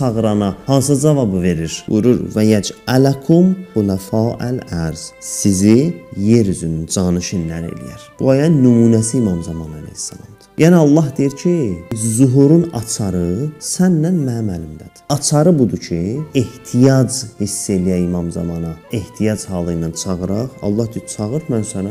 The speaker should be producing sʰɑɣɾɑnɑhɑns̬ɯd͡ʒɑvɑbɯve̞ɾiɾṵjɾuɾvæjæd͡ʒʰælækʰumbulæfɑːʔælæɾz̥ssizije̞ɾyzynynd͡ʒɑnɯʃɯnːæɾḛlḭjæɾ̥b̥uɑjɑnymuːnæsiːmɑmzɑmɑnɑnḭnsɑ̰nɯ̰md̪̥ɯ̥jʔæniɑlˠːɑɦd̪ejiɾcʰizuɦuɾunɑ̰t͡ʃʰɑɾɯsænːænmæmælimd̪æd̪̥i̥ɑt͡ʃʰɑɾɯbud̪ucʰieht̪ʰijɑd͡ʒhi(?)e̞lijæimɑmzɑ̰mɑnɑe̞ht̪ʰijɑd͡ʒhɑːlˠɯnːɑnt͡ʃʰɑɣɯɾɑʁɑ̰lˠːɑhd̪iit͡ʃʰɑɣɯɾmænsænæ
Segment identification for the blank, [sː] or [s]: sː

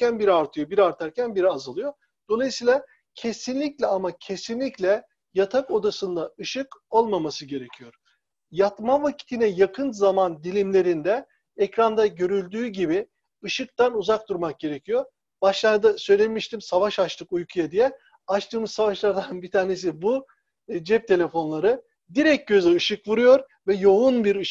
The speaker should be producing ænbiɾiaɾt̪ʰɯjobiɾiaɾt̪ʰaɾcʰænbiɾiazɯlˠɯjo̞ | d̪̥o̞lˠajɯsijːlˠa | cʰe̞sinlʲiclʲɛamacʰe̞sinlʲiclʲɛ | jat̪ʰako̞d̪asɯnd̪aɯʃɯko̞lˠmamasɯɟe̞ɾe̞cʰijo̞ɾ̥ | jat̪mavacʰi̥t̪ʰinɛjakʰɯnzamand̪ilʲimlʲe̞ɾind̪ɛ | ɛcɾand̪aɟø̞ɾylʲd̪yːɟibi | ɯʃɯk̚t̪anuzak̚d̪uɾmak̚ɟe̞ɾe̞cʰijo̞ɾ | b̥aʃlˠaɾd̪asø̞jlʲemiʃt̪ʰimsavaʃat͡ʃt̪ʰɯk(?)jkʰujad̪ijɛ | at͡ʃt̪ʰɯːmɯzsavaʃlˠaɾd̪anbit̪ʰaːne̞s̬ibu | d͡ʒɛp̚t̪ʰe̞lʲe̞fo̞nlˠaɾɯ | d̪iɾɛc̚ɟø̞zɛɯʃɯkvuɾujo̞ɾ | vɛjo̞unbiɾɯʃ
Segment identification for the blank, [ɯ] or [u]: u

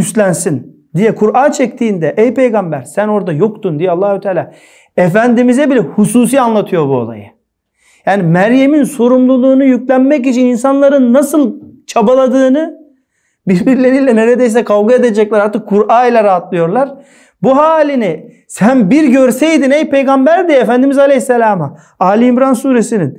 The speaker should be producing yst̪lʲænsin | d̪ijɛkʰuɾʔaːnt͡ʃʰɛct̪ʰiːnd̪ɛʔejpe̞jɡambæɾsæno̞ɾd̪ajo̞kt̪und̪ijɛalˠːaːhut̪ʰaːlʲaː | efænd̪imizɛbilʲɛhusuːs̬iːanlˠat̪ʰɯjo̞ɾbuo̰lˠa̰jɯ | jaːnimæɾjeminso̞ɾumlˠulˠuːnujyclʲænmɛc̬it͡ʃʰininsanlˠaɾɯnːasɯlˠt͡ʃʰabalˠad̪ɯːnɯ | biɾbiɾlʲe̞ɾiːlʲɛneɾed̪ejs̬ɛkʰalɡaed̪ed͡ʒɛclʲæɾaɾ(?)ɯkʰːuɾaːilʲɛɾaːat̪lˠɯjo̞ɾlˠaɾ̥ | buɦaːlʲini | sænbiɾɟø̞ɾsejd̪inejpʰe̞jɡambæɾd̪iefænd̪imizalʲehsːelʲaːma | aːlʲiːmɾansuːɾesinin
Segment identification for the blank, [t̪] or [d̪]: t̪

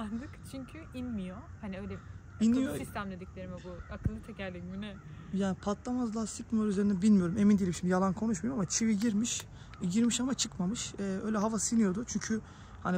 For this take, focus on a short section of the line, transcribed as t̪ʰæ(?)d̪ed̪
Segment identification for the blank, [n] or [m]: m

